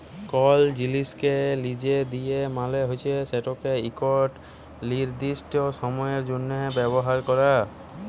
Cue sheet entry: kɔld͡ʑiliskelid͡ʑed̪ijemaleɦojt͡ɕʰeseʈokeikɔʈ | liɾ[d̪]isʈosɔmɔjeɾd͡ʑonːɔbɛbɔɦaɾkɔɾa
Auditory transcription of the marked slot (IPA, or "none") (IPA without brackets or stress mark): d̪